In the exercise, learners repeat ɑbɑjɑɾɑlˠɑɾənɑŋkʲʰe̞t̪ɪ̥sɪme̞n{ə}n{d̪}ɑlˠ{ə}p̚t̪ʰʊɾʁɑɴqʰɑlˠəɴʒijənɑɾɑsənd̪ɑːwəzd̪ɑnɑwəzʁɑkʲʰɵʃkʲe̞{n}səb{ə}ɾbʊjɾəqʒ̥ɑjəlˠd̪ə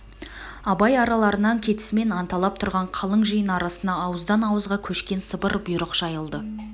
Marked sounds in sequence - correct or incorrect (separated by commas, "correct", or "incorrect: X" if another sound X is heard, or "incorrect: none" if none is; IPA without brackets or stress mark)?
incorrect: ɑ, incorrect: t̪, incorrect: ɑ, correct, correct